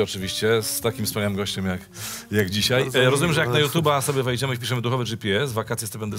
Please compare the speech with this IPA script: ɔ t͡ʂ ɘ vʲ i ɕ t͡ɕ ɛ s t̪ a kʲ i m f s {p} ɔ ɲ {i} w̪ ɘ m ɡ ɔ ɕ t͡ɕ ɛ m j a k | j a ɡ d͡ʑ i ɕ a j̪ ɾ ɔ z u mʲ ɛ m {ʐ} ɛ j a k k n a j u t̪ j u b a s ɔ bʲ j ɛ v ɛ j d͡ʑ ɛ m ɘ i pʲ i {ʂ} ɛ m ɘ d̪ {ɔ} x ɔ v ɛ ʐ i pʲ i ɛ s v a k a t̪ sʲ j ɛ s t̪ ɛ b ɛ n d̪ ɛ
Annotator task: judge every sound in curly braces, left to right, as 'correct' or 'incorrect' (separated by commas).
correct, incorrect, correct, correct, incorrect